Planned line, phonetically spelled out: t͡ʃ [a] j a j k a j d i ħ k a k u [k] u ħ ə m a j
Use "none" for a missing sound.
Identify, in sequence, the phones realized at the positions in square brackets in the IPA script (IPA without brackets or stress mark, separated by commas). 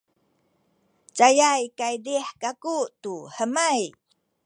a, t